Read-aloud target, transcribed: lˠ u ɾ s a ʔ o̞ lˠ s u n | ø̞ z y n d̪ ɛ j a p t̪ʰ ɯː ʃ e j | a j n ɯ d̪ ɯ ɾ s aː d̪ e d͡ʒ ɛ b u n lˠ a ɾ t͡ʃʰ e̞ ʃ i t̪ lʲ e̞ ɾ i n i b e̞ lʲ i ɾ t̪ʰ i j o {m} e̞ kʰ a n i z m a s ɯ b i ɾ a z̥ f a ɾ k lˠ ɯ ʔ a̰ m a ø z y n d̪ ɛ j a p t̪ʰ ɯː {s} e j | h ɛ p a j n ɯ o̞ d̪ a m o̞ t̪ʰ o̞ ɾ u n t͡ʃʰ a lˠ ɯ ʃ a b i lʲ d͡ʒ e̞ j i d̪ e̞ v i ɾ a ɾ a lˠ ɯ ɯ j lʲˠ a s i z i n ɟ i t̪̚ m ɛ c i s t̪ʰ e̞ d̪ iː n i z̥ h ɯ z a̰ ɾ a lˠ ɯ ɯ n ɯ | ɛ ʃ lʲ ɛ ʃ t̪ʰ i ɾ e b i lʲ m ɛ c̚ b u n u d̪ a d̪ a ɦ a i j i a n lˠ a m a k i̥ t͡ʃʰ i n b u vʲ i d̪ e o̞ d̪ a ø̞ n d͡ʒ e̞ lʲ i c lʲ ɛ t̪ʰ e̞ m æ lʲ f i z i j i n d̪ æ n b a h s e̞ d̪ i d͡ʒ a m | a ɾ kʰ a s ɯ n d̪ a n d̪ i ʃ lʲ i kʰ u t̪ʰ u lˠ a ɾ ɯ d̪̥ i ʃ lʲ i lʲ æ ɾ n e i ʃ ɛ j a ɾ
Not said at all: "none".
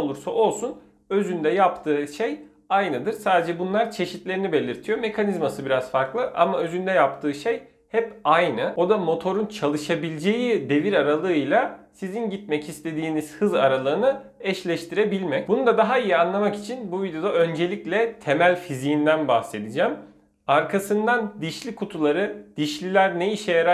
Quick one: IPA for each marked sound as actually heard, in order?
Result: m, ʃ

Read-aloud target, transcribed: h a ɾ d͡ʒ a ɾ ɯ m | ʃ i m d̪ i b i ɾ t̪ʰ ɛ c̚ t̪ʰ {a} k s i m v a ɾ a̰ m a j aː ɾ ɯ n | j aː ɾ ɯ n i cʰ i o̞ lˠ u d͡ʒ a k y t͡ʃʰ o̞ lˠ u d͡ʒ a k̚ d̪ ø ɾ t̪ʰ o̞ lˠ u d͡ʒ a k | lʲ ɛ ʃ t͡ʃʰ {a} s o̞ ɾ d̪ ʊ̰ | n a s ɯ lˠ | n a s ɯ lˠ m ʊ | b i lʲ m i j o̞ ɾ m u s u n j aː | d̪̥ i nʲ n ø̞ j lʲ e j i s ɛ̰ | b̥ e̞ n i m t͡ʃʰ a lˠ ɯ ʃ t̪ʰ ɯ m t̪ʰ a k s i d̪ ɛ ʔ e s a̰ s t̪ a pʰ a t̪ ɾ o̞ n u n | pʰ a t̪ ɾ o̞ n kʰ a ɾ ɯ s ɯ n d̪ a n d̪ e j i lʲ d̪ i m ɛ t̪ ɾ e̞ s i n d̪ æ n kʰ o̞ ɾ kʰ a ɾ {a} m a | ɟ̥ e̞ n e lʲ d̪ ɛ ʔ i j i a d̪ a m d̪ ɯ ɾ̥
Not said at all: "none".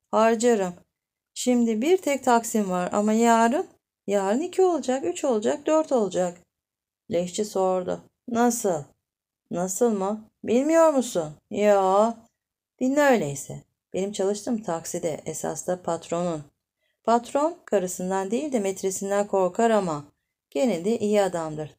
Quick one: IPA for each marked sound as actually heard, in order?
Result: a, i, a

